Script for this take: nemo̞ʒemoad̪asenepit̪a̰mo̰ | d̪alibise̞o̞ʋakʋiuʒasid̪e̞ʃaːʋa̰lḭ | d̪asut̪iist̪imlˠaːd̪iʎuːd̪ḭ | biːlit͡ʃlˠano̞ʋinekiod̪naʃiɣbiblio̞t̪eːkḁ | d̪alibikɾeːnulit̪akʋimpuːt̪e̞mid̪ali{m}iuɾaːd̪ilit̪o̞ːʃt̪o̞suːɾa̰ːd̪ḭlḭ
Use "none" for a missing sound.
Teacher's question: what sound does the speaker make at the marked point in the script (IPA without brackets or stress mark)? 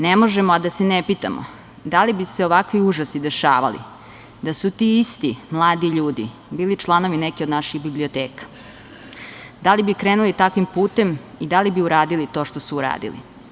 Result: b